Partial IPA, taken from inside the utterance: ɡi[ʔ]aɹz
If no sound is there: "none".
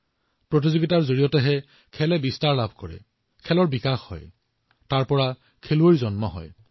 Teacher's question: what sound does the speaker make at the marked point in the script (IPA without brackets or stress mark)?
t